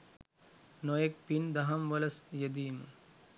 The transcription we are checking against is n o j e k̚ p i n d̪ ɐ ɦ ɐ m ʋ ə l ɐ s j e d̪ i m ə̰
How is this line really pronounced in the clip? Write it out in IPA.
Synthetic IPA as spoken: n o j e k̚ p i n d̪ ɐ ɦ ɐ m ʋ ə l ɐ s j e d̪ iː m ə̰